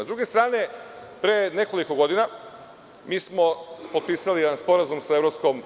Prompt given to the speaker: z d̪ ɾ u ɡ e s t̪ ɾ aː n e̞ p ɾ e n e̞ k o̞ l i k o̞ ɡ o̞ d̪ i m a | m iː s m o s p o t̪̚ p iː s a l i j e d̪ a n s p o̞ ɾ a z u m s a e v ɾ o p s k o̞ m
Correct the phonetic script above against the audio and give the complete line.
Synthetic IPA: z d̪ ɾ u ɡ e s t̪ ɾ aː n e̞ p ɾ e n e̞ k o̞ l i k o̞ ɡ o̞ d̪ i n a | m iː s m o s p o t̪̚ p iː s a l i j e d̪ a n s p o̞ ɾ a z u m s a e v ɾ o p s k o̞ m

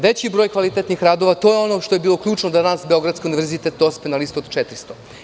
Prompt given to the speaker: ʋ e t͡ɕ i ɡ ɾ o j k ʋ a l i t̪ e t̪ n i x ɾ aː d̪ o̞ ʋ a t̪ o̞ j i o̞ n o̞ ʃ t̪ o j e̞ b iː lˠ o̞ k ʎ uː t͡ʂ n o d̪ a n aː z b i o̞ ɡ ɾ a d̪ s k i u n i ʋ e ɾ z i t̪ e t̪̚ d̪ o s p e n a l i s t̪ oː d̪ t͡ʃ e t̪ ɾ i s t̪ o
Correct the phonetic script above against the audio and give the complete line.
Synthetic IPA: ʋ e t͡ɕ i b ɾ o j k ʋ a l i t̪ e t̪ n i x ɾ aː d̪ o̞ ʋ a t̪ o̞ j e o̞ n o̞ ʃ t̪ o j e̞ b iː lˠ o̞ k ʎ uː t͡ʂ n o d̪ a n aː s b e o̞ ɡ ɾ a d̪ s k i u n i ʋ e ɾ z i t̪ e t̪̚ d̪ o s p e n a l i s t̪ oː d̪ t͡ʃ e t̪ ɾ i s t̪ o

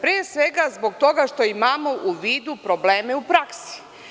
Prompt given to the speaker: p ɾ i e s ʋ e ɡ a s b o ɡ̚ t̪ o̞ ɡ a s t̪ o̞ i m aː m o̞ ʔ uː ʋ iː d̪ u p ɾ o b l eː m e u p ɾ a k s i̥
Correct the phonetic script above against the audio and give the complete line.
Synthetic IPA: p ɾ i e s ʋ e ɡ a z b o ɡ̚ t̪ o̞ ɡ a ʃ t̪ o̞ i m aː m o̞ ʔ u ʋ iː d̪ u p ɾ o b l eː m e u p ɾ a k s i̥

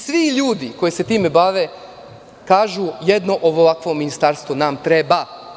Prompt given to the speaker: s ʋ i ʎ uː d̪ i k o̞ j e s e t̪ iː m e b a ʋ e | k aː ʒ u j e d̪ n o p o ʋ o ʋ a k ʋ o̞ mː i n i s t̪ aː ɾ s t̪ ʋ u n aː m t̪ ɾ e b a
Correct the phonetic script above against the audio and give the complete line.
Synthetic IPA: s ʋ i ʎ uː d̪ i k o̞ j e s e t̪ iː m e b a ʋ e | k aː ʒ u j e d̪ n o ʔ o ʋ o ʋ a k ʋ o̞ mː i n i s t̪ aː ɾ s t̪ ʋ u n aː m t̪ ɾ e b a

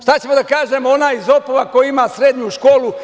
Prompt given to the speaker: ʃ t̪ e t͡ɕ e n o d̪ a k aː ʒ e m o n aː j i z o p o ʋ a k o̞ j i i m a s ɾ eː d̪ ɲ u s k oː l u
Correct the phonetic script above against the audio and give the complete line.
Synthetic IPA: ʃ t̪ a t͡ɕ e m o d̪ a k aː ʒ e m o n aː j i z o p o ʋ a k o̞ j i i m a s ɾ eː d̪ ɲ u ʃ k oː l u

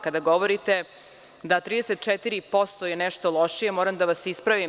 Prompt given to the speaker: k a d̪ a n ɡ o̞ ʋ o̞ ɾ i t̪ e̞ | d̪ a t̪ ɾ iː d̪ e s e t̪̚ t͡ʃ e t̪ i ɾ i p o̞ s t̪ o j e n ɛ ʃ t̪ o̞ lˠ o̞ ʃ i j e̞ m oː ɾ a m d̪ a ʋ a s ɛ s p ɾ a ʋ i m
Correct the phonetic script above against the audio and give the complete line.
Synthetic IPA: k a d̪ a ɡ o̞ ʋ o̞ ɾ i t̪ e̞ | d̪ a t̪ ɾ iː d̪ e s e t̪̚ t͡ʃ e t̪ i ɾ i p o̞ s t̪ o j e n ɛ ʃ t̪ o̞ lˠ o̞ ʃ i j e̞ m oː ɾ a m d̪ a ʋ a s i s p ɾ a ʋ i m

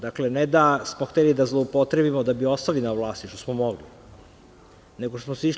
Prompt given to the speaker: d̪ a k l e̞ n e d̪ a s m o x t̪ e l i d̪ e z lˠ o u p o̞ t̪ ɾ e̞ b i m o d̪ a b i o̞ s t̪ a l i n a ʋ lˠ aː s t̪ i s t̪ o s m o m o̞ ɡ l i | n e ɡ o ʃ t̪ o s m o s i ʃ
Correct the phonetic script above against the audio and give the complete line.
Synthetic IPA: d̪ a k l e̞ n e d̪ a s m o x t̪ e l i d̪ a z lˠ o u p o̞ t̪ ɾ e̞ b i m o d̪ a b i o̞ s t̪ a l i n a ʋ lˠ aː s t̪ i ʃ t̪ o s m o m o̞ ɡ l i | n e ɡ o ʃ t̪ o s m o s i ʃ

